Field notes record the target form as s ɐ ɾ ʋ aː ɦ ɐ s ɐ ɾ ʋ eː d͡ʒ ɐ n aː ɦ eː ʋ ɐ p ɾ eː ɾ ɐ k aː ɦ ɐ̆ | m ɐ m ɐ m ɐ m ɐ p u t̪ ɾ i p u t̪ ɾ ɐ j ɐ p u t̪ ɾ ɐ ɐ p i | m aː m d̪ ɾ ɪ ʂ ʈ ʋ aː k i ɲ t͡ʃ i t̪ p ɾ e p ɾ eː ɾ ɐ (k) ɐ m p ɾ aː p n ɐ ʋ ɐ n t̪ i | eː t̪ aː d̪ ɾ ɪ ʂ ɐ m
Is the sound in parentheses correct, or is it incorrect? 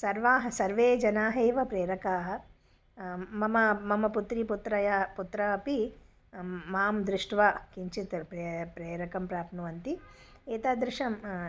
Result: correct